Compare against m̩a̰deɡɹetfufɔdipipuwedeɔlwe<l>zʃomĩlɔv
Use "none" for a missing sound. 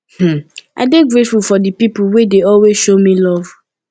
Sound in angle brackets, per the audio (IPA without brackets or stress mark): none